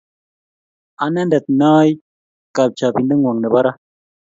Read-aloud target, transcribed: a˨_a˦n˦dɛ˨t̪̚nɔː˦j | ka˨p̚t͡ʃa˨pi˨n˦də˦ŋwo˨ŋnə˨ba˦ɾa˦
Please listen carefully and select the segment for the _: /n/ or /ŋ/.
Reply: n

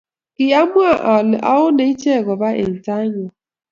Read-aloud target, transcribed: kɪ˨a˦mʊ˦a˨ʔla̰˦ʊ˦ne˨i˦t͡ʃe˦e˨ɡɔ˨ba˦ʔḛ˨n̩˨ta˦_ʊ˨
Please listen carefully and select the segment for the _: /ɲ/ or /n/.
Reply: ɲ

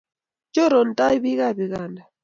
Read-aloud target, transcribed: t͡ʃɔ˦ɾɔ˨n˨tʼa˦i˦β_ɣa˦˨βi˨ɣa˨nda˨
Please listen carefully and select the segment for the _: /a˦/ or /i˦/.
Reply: i˦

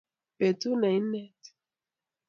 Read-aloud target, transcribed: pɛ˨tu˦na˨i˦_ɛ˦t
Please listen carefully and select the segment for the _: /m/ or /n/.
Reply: n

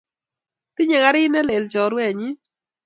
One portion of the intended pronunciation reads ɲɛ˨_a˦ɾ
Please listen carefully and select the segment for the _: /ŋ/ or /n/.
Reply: ŋ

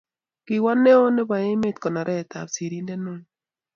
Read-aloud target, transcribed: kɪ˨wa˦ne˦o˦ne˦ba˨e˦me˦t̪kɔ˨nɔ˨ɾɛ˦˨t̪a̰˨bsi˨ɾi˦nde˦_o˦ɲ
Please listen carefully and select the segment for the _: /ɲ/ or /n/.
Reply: n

